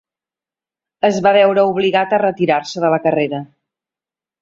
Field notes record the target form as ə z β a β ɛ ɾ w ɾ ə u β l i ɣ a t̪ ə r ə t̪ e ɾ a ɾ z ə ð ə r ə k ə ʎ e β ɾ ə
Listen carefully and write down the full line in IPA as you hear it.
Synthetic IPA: ə z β a β ɛ w ɾ ə u β l i ɣ a t̪ ə r ə t̪ i ɾ a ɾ s ə ð ə l ə k ə r e ɾ ə